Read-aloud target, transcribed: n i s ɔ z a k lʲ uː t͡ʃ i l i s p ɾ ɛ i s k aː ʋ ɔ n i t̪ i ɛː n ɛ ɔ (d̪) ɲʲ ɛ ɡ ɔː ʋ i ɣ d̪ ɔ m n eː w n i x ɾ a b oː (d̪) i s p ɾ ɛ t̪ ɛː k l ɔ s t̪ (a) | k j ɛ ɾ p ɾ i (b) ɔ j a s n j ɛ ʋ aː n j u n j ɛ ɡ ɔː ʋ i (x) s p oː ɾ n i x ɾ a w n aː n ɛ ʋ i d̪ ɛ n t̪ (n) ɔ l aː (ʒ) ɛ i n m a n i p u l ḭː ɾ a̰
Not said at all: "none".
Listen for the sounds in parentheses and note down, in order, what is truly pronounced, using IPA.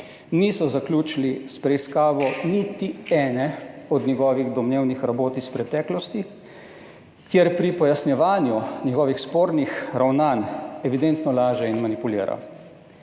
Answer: d̪, t̪, i, p, x, n, ʒ

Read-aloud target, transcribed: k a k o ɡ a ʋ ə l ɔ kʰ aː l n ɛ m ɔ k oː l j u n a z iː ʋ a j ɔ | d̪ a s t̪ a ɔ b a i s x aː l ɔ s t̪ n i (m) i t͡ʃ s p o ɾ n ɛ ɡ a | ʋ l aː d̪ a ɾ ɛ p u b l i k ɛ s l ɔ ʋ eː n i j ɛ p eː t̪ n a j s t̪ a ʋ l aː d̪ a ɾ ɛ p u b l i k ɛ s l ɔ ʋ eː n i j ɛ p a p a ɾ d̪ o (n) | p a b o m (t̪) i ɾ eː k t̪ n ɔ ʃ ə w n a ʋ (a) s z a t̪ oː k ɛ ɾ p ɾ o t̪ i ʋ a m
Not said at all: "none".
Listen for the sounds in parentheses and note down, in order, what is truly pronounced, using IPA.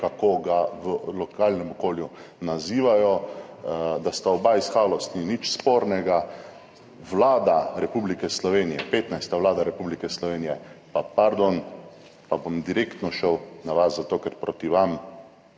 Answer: n, n, d̪, a

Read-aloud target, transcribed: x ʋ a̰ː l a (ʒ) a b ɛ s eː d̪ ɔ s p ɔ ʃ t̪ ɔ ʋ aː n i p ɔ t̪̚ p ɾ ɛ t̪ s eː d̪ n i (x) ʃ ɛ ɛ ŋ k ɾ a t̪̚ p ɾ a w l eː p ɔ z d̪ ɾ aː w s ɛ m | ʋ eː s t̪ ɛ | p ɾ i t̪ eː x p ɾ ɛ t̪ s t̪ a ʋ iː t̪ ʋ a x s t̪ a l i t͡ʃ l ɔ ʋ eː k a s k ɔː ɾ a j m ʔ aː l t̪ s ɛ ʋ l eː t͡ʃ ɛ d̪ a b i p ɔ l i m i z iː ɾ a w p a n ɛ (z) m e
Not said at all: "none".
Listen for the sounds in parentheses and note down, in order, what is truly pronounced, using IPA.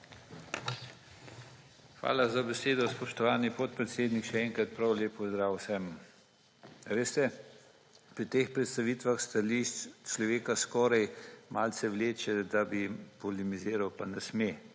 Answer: z, k, s

